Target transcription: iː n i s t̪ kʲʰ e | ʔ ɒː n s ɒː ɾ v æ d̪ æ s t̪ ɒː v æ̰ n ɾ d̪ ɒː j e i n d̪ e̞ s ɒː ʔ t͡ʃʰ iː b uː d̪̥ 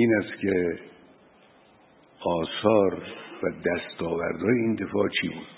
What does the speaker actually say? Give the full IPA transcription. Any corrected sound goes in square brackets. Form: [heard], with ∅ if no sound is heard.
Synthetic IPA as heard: iː n [æ] s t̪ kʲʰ e | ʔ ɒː [∅] s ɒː ɾ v æ d̪ æ s t̪ ɒː v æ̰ [∅] ɾ d̪ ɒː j e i n d̪ e̞ [f] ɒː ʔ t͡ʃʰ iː b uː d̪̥